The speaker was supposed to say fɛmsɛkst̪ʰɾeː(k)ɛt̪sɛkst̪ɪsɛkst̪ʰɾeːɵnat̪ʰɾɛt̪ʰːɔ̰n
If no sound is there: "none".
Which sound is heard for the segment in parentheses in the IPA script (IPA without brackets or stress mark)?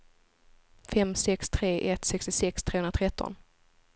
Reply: ʔ